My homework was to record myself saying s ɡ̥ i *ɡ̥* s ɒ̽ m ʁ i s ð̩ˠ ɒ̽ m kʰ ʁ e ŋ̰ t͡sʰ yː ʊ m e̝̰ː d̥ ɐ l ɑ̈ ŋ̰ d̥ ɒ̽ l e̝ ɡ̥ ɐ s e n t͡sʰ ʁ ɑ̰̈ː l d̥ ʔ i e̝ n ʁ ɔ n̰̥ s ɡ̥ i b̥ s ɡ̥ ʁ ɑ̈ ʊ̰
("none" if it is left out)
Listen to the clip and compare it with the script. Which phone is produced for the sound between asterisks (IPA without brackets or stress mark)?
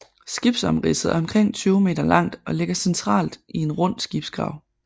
b̥